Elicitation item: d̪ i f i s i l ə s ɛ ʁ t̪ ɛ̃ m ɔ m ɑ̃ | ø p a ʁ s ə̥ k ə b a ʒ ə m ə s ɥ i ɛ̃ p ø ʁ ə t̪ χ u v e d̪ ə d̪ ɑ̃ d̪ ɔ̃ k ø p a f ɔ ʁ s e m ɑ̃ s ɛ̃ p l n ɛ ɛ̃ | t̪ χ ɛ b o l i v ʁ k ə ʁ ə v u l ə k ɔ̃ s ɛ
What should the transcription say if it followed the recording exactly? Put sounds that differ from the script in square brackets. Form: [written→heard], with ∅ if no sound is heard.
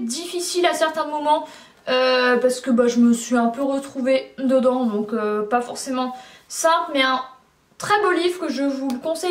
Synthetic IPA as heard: d̪ i f i s i l [ə→a] s ɛ ʁ t̪ ɛ̃ m ɔ m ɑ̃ | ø p a ʁ s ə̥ k ə b a ʒ ə m ə s ɥ i ɛ̃ p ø ʁ ə t̪ χ u v e d̪ ə d̪ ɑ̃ d̪ ɔ̃ k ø p a f ɔ ʁ s e m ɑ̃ s ɛ̃ p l [n→m] ɛ ɛ̃ | t̪ χ ɛ b o l i v ʁ k ə [ʁ→ʒ] ə v u l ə k ɔ̃ s ɛ